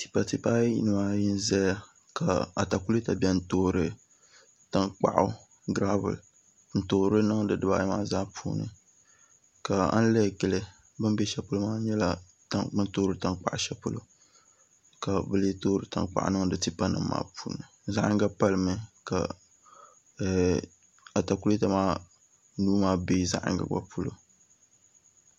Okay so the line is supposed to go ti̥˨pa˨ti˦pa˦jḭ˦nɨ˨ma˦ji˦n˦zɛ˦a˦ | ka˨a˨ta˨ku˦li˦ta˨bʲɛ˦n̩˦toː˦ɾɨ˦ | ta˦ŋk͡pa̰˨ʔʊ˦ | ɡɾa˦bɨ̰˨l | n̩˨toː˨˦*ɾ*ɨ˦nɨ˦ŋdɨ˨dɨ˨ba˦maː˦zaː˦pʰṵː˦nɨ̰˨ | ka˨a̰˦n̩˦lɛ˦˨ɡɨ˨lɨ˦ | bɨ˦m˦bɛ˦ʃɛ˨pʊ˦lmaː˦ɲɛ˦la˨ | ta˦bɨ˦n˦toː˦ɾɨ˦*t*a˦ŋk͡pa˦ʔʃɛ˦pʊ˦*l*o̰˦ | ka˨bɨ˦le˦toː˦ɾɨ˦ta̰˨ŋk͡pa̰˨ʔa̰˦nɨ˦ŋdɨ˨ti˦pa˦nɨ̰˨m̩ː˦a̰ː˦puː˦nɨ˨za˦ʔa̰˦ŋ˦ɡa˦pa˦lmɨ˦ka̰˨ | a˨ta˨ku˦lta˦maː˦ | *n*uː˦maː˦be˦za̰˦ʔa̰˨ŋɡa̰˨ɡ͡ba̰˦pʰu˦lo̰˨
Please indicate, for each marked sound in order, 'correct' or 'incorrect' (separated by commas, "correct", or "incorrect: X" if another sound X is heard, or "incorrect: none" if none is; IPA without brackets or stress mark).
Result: correct, correct, correct, correct